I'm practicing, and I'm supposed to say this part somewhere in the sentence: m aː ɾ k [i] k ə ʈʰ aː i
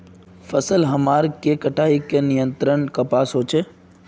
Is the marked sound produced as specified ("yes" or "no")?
no